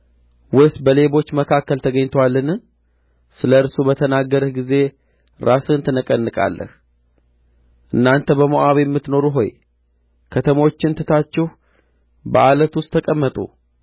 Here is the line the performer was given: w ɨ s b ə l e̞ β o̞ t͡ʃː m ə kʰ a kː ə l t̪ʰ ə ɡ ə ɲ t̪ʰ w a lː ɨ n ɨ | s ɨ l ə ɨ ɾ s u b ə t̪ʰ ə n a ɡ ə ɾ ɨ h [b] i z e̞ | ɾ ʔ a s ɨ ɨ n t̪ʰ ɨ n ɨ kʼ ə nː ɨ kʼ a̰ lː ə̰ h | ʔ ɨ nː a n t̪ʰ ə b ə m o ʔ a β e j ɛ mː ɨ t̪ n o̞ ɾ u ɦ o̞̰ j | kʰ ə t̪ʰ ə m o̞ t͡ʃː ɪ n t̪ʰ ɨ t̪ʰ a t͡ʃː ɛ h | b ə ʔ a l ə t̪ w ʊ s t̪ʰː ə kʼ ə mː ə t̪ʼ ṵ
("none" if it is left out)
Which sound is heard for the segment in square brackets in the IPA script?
ɡ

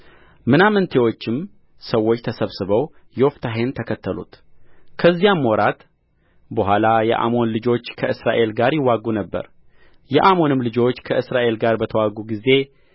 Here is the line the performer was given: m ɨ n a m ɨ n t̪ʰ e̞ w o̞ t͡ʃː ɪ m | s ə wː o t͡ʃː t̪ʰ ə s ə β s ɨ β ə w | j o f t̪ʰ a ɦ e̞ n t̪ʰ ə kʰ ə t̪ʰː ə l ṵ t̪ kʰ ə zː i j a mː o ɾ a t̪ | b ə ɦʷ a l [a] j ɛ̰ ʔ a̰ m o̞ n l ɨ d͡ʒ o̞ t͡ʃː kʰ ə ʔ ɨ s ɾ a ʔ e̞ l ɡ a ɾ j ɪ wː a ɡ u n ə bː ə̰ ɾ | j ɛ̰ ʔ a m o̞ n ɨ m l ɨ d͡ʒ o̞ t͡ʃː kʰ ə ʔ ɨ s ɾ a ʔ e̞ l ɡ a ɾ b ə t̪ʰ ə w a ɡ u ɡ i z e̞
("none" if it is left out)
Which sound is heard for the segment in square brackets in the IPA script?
a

